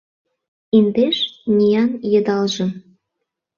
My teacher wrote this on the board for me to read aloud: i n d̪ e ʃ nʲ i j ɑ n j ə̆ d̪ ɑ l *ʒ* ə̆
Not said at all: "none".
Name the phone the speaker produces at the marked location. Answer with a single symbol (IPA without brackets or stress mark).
ʒ